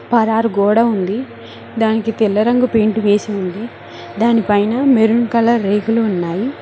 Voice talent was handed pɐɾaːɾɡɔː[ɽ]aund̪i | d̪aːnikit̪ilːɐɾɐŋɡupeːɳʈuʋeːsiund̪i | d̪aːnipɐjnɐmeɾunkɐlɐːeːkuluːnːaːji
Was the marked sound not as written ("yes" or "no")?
no